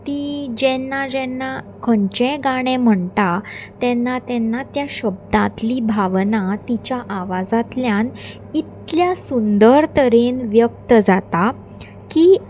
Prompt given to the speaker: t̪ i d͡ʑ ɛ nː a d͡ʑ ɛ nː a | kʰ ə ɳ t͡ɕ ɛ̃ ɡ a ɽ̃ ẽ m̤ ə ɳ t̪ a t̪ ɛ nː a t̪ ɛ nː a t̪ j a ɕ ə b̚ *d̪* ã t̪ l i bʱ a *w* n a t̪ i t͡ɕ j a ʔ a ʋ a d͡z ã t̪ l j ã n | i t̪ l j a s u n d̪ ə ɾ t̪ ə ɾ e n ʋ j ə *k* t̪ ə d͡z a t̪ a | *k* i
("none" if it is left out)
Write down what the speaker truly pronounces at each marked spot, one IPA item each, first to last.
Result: d̪, ʋ, k, k

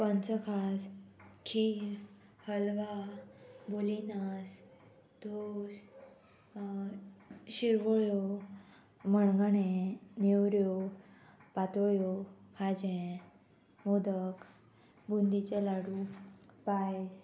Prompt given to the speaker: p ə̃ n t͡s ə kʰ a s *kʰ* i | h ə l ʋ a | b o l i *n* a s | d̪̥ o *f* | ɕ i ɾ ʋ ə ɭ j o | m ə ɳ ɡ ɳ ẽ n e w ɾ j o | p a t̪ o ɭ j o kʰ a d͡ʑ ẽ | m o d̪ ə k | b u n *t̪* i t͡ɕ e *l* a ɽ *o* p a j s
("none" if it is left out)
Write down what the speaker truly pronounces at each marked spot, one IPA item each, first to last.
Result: kʰ, n, s, d̪, l, u

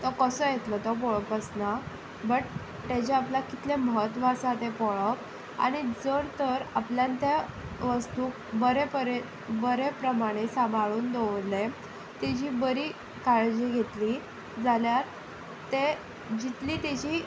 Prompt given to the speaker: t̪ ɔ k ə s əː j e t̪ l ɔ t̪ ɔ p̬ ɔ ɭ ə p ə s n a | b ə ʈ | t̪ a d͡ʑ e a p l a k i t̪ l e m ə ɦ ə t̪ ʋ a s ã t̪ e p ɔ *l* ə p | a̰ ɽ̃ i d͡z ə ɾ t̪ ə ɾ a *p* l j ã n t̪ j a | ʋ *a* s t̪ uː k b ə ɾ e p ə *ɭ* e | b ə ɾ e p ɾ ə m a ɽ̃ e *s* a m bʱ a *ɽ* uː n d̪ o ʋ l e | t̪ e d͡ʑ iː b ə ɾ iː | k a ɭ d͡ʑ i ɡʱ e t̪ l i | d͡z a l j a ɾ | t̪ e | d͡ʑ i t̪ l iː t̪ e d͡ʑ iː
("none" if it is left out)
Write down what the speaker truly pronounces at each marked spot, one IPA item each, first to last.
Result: ɭ, p, ə, ɾ, s, ɭ

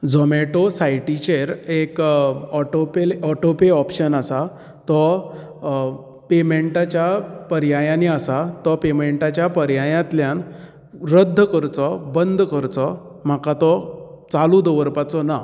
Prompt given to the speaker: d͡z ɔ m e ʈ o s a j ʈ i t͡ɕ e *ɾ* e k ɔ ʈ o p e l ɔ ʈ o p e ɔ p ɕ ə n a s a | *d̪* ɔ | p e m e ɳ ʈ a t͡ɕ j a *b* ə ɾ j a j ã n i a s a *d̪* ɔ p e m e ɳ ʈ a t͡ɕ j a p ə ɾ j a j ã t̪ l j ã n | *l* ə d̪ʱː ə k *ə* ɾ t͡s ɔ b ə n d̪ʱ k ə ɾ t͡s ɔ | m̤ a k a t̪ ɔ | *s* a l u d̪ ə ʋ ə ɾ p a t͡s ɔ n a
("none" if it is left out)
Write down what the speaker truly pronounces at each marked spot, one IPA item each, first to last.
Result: ɾ, t̪, p, t̪, ɾ, ə, t͡s

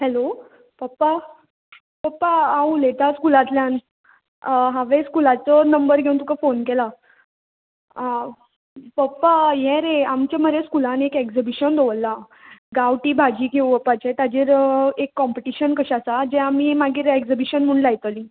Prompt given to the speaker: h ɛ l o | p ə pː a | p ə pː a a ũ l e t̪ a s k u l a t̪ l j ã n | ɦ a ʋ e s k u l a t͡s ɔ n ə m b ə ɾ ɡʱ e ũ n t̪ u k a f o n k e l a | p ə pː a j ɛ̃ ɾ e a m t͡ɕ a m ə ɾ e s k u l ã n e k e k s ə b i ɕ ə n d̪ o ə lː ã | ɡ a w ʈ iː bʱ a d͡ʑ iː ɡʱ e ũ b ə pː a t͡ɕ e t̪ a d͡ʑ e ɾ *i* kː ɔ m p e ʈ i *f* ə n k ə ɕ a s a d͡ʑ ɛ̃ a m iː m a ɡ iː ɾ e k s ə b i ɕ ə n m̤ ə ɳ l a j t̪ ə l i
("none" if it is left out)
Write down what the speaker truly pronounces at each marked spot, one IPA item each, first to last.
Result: e, ɕ

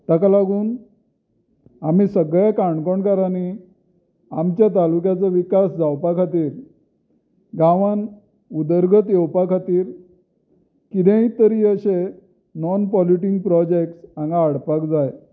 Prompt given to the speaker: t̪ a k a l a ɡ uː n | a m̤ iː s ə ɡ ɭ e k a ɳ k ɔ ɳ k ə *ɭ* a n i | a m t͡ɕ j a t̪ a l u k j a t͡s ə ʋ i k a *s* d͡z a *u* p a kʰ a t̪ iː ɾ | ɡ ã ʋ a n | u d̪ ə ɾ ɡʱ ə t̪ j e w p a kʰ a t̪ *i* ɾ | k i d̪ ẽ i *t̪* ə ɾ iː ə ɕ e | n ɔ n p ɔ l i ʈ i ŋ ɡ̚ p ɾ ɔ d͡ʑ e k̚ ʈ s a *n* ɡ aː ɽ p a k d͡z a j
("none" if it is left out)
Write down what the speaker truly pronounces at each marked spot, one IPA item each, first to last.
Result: ɾ, s, w, iː, t̪, ŋ

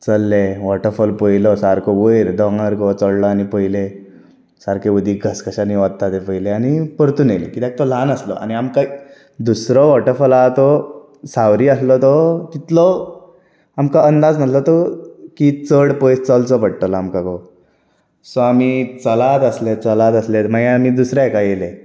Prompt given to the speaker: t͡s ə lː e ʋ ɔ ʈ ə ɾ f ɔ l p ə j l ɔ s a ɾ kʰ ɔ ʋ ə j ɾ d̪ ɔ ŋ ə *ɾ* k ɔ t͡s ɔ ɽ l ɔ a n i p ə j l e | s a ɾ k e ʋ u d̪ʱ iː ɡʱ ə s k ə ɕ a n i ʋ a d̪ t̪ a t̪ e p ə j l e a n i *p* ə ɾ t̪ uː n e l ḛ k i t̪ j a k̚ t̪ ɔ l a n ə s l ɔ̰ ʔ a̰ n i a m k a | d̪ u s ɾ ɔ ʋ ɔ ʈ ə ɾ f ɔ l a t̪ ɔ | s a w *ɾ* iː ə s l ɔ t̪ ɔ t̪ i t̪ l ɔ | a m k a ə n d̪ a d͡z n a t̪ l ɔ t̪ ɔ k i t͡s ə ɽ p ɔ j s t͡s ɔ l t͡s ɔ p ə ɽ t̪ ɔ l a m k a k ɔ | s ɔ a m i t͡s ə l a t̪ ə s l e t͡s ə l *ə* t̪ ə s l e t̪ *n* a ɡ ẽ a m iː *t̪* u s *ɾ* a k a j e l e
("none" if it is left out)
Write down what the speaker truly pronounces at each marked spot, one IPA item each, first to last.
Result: ɾ, p, ɾ, a, m, d̪, ɾ

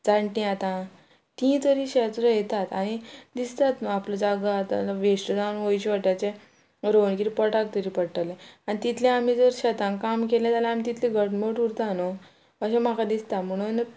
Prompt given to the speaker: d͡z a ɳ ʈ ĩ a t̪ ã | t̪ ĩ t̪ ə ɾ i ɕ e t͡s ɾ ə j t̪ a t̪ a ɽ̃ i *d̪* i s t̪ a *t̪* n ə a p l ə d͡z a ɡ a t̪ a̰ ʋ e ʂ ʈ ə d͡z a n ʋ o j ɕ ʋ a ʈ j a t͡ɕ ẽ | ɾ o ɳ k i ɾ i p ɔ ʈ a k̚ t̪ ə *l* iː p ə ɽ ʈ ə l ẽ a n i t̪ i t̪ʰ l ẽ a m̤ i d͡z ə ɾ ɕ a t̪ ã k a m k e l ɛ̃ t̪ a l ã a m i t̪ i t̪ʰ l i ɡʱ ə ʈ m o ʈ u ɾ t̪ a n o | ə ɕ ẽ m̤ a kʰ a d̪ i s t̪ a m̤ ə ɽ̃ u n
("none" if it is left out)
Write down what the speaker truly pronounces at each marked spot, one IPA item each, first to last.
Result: d̪, t̪, ɾ

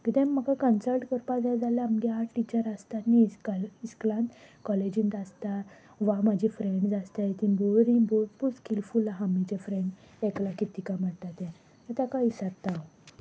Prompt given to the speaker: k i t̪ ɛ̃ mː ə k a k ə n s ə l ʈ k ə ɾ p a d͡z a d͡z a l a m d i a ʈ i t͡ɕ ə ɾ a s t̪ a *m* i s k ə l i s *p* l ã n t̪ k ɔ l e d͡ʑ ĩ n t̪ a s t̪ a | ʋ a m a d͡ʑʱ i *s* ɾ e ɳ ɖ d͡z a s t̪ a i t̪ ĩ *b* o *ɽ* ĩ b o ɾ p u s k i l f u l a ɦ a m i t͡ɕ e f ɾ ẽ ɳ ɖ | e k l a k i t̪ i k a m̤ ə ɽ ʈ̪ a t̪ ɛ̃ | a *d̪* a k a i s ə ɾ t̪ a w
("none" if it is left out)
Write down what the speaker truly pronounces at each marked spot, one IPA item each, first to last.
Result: n, k, f, b, ɾ, t̪

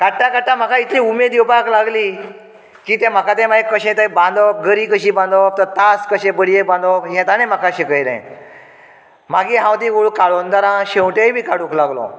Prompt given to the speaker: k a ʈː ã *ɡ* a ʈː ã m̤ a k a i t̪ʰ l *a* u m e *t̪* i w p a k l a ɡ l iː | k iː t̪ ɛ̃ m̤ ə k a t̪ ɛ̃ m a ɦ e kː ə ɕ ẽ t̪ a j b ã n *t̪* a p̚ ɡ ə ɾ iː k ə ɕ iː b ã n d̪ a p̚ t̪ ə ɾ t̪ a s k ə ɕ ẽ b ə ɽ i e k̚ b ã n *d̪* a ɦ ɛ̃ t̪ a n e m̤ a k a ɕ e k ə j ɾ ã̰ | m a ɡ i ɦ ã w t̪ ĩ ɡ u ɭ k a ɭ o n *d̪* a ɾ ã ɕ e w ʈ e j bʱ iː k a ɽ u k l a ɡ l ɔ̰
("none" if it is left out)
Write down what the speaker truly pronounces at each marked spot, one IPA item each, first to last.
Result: k, i, d̪, d̪, d̪, d̪

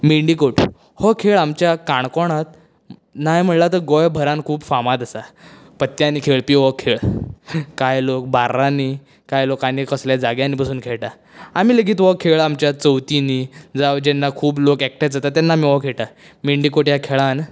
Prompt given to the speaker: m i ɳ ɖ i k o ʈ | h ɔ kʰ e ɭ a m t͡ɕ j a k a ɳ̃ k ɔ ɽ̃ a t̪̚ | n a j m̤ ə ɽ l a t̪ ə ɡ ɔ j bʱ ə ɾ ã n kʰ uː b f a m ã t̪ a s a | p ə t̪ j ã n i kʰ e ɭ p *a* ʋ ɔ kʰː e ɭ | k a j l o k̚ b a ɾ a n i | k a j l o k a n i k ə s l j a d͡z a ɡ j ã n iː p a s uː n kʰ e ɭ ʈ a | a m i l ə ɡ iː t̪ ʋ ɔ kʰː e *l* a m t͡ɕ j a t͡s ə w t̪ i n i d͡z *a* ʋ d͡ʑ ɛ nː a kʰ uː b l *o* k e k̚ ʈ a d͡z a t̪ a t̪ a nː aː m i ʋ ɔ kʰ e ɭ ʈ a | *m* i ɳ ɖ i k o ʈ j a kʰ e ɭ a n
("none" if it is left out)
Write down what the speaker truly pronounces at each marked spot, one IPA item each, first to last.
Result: i, ɭ, a, o, m

